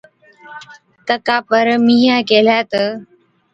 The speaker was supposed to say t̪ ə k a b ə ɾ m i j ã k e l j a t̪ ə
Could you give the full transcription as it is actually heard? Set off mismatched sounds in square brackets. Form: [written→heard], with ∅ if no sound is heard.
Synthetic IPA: t̪ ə k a [b→p] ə ɾ m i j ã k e l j a t̪ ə